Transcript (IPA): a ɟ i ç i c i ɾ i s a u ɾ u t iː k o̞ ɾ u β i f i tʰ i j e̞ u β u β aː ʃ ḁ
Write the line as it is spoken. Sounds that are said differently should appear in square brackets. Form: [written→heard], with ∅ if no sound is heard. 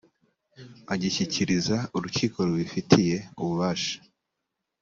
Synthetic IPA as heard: a ɟ i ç i c i ɾ i [s→z] a u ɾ u [t→c] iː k o̞ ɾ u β i f i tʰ i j e̞ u β u β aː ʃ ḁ